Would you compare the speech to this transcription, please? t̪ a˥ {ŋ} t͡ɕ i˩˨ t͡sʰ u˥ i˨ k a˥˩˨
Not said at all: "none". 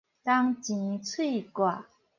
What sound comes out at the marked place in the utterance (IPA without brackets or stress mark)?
ŋ